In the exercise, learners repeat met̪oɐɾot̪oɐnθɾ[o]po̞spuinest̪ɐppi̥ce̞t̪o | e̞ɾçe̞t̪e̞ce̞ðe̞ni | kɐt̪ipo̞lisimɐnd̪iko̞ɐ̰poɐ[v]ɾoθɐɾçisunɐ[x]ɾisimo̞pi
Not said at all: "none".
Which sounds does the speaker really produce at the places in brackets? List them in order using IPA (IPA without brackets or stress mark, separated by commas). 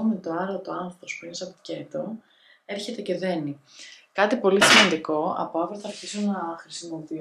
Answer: o, v, x